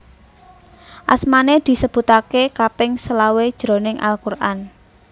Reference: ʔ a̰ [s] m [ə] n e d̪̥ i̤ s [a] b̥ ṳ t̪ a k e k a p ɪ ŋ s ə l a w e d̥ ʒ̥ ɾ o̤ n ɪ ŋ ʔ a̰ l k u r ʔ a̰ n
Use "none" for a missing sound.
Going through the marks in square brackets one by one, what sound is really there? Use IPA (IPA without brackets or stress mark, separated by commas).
s, a, ə